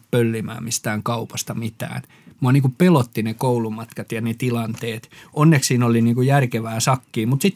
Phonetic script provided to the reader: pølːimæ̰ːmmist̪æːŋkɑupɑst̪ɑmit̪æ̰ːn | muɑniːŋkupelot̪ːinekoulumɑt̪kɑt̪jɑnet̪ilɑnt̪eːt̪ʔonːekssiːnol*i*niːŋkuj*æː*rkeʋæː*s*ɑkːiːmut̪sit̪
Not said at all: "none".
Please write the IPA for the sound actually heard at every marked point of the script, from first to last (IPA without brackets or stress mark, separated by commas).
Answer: i, æ, s